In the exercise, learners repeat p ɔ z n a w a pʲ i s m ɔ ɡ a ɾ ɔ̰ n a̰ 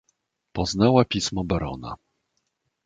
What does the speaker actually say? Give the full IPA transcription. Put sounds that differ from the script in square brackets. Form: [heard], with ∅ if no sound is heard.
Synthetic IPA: p ɔ z n a w a pʲ i s m ɔ [b] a ɾ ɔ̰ n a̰